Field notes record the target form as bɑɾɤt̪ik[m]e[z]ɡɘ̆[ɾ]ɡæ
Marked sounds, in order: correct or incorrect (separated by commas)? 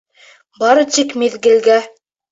correct, incorrect, incorrect